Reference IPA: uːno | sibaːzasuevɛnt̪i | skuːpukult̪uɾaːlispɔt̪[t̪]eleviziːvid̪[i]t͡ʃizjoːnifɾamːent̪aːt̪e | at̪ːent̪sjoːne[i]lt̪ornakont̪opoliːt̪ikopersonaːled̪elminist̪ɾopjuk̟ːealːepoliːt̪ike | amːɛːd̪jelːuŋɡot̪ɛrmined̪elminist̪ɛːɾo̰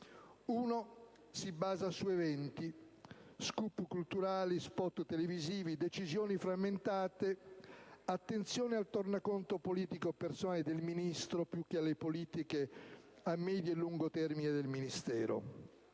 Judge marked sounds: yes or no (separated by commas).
yes, no, no